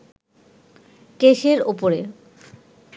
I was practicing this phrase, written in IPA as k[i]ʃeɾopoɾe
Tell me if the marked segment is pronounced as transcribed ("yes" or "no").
no